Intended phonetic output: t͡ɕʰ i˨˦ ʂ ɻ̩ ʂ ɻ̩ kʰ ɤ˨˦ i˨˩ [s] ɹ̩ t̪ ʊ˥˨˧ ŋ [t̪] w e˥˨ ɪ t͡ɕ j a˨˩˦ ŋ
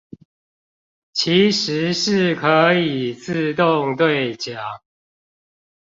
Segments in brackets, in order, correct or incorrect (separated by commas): incorrect, correct